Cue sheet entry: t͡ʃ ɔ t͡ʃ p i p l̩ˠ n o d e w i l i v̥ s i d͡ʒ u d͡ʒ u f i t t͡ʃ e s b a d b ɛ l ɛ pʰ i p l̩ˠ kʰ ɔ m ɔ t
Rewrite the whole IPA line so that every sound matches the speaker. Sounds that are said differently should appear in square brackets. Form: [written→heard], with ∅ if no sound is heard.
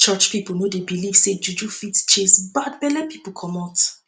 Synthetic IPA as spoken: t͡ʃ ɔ t͡ʃ p i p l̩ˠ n o d e [w→b] i l i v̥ s [i→e] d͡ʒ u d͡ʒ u f i t t͡ʃ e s b a d b ɛ l ɛ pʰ i p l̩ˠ kʰ ɔ m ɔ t